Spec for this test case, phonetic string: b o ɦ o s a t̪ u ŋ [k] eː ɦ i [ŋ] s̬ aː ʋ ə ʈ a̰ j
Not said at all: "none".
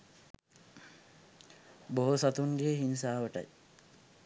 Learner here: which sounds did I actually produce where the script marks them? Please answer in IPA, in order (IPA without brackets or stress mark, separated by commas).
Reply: ɡ, n